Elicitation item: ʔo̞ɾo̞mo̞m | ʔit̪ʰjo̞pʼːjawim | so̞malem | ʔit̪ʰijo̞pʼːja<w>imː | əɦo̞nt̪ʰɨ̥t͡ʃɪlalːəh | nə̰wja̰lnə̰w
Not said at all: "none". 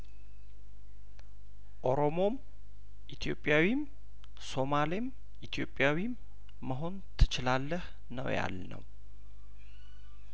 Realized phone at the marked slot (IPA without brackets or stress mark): w